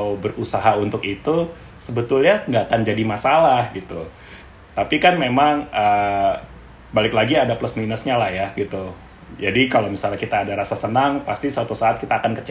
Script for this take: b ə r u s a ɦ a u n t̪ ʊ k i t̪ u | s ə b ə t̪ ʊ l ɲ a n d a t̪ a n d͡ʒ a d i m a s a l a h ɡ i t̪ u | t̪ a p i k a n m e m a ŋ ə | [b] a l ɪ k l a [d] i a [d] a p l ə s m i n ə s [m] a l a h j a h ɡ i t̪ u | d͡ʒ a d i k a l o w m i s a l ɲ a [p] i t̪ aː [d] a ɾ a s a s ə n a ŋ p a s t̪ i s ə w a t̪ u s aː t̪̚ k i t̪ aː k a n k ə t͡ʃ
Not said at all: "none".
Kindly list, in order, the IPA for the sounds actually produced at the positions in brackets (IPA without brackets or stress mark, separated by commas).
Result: b, ɡ, d, ɲ, k, d